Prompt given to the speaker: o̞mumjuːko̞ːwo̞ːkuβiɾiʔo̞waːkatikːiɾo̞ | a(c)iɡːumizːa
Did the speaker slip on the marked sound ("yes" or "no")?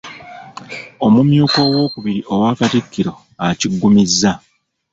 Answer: no